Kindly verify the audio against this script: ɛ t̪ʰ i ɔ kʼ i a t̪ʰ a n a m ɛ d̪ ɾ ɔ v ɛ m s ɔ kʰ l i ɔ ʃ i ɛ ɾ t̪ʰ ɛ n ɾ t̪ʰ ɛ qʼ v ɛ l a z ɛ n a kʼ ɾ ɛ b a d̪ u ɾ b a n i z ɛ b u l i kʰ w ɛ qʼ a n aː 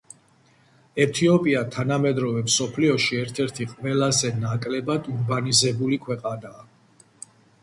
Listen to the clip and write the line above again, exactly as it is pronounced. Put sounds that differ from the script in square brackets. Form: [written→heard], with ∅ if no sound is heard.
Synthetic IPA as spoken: ɛ t̪ʰ i ɔ [kʼ→pʼ] i a t̪ʰ a n a m ɛ d̪ ɾ ɔ v ɛ m s ɔ [kʰ→pʰ] l i ɔ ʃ i ɛ ɾ t̪ʰ ɛ [n→∅] ɾ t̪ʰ [ɛ→i] qʼ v ɛ l a z ɛ n a kʼ [ɾ→l] ɛ b a d̪ u ɾ b a n i z ɛ b u l i kʰ w ɛ qʼ a n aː